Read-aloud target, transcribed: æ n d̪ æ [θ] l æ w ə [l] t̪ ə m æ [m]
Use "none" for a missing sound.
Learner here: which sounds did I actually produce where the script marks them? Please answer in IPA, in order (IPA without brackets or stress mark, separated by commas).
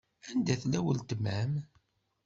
θ, l, m